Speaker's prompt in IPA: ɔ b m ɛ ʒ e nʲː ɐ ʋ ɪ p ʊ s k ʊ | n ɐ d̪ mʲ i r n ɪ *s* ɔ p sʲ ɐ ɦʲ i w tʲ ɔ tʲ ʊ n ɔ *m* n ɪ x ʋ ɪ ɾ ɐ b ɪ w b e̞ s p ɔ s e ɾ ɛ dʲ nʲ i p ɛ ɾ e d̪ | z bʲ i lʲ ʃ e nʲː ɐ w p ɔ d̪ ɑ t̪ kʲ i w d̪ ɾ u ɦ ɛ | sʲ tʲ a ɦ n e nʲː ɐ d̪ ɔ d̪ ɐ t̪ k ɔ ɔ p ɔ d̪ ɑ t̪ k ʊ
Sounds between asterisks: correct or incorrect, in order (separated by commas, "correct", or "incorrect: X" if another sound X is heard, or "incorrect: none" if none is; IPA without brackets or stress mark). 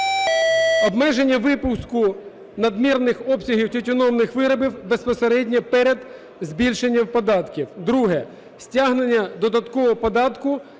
incorrect: x, correct